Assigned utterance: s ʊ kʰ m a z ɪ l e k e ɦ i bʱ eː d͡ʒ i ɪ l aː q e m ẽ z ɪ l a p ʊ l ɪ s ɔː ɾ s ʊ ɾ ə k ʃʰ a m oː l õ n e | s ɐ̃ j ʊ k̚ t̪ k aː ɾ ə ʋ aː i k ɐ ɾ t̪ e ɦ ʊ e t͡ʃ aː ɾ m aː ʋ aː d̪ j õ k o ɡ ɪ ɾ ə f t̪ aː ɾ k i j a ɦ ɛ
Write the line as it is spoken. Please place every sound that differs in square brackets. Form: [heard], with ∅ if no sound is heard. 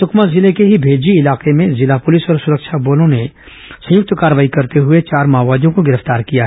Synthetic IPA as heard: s ʊ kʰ m a z ɪ l e k e ɦ i bʱ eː d͡ʒ i ɪ l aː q e m ẽ z ɪ l a p ʊ l ɪ s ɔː ɾ s ʊ ɾ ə k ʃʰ a [b] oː l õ n e | s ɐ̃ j ʊ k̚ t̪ k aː ɾ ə ʋ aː i k ɐ ɾ t̪ e ɦ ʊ e t͡ʃ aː ɾ m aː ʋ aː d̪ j õ k o ɡ ɪ ɾ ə f t̪ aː ɾ k i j a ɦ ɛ